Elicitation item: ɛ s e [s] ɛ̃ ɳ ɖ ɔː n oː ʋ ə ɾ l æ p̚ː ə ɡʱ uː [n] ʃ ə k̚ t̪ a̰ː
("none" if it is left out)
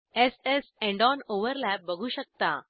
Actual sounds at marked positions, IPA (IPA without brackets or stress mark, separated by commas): s, none